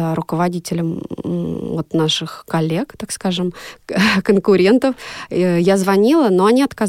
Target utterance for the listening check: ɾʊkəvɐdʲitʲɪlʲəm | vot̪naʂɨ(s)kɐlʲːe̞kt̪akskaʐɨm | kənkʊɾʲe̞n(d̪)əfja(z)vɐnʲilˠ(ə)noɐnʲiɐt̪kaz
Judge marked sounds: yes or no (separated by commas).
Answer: no, no, yes, yes